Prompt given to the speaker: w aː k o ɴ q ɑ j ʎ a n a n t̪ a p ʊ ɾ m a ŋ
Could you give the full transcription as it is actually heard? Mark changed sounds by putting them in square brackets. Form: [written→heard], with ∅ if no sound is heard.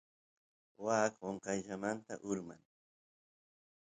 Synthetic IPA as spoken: w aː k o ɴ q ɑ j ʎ a [n→m] a n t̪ a [p→ʔ] ʊ ɾ m a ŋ